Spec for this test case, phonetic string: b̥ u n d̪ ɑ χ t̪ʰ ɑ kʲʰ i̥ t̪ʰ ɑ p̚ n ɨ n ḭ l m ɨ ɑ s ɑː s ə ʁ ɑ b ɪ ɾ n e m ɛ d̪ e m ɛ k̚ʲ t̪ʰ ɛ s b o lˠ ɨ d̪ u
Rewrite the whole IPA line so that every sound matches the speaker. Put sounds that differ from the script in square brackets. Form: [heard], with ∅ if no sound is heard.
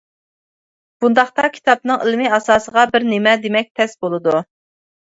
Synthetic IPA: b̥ u n d̪ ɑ χ [t̪] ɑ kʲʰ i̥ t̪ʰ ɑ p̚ n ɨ [ŋ] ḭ l m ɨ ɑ s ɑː s ə ʁ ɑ b ɪ ɾ n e m ɛ d̪ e m ɛ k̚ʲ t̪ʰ ɛ s b o lˠ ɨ d̪ u